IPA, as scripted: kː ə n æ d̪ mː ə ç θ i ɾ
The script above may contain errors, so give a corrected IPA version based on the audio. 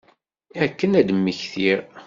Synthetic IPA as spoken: kː ə n æ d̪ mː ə ç θ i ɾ